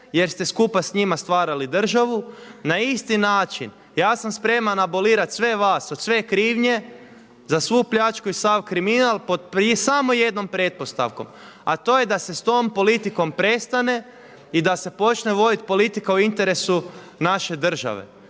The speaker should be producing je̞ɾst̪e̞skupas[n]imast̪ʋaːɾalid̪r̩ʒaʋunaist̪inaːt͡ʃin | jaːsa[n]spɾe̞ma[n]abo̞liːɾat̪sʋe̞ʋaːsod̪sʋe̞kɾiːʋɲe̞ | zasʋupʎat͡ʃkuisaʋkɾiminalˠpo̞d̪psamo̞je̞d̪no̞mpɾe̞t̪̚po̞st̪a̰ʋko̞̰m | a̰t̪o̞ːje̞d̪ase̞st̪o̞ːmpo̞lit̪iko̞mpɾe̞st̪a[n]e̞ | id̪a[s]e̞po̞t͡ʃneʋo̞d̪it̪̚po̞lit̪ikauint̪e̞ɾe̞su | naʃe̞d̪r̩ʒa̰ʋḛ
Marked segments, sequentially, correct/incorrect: incorrect: ɲ, incorrect: m, correct, correct, correct

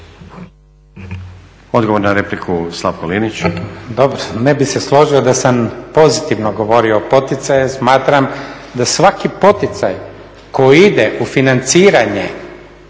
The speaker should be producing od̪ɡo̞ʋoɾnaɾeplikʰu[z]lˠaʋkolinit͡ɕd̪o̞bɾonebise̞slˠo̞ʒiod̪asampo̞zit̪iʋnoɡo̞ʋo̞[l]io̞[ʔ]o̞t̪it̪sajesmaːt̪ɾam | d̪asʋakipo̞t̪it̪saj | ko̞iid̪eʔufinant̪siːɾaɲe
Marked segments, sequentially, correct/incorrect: incorrect: s, incorrect: ɾ, incorrect: p

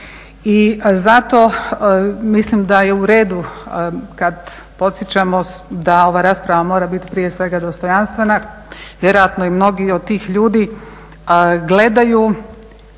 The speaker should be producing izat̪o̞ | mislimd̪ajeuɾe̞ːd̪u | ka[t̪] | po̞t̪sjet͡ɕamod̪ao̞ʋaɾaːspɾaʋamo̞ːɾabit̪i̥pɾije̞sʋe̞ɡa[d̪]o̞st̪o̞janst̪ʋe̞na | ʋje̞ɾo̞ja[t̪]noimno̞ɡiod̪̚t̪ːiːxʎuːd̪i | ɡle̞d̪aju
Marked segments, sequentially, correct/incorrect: incorrect: d̪, correct, correct

